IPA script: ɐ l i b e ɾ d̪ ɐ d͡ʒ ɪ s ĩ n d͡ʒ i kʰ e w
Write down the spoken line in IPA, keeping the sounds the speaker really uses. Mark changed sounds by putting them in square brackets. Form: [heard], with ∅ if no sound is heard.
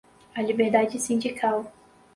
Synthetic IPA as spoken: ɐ l i b e ɾ d̪ [a] d͡ʒ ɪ s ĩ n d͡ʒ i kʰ [a] w